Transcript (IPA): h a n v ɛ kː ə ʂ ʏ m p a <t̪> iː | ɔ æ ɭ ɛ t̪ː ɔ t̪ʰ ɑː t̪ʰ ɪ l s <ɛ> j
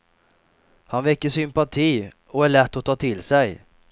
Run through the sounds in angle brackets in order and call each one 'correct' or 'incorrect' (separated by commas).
incorrect, correct